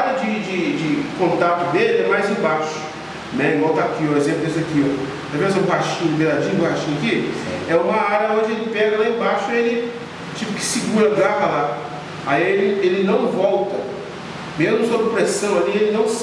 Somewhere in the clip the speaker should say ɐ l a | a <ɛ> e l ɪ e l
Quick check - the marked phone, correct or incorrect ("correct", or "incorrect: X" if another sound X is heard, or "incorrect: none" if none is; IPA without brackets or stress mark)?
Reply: incorrect: i